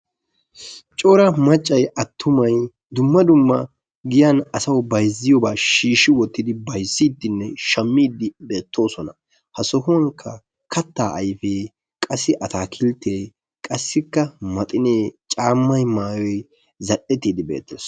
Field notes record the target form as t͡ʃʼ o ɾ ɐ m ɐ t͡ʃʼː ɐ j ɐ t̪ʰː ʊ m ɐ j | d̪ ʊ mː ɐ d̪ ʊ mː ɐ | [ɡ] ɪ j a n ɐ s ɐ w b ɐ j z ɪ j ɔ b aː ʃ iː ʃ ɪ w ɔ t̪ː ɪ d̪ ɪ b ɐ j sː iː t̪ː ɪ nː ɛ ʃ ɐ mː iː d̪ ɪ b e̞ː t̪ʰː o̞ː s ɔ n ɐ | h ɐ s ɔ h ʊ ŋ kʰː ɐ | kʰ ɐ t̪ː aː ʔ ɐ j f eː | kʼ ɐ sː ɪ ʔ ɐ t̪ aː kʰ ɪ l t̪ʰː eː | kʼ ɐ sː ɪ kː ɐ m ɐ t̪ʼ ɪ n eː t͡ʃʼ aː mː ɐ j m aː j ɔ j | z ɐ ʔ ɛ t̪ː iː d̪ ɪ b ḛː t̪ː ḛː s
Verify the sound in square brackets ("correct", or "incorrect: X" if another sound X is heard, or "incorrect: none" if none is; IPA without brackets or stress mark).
correct